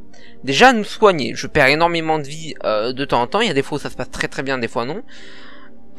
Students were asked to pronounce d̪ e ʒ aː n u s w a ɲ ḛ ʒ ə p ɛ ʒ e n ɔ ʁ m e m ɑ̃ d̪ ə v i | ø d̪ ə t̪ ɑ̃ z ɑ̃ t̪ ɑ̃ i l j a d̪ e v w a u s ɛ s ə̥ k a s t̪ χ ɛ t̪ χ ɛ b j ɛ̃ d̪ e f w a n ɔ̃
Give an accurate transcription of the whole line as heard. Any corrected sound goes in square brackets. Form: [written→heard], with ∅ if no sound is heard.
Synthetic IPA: d̪ e ʒ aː n u s w a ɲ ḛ ʒ ə p ɛ [ʒ→ʁ] e n ɔ ʁ m e m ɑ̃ d̪ ə v i | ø d̪ ə t̪ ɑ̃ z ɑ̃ t̪ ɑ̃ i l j a d̪ e [v→f] w a u s [ɛ→a] s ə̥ [k→p] a s t̪ χ ɛ t̪ χ ɛ b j ɛ̃ d̪ e f w a n ɔ̃